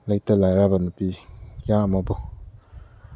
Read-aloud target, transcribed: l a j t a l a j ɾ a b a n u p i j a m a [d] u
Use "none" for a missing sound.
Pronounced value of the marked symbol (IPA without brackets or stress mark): b